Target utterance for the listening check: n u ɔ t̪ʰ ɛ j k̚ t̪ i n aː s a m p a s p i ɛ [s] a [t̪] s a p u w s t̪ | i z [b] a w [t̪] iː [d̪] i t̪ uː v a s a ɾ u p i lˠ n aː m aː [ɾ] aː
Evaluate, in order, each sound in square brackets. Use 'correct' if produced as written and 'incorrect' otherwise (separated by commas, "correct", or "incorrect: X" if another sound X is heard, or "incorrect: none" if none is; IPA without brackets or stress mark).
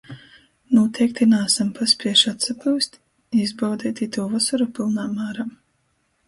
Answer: incorrect: ʃ, correct, correct, incorrect: d̪, incorrect: t̪, correct